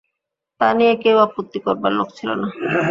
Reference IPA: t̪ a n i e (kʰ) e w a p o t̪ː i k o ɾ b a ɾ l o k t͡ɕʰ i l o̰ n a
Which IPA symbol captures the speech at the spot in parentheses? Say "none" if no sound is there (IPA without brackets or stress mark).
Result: k